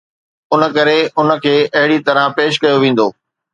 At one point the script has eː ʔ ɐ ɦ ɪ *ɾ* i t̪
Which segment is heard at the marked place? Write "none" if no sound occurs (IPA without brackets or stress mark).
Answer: ɽ